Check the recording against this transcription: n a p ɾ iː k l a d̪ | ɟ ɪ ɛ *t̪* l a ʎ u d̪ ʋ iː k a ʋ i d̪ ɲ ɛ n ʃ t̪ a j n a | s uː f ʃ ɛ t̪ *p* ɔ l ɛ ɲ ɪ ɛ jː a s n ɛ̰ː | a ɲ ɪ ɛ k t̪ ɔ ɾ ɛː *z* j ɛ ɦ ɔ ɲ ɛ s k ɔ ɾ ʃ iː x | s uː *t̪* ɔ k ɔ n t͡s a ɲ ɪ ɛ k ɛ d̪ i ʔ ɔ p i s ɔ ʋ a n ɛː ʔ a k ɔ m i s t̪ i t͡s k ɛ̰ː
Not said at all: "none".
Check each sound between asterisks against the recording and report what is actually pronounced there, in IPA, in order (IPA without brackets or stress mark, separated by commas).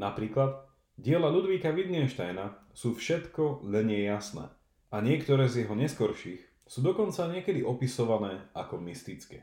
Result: none, k, z, d̪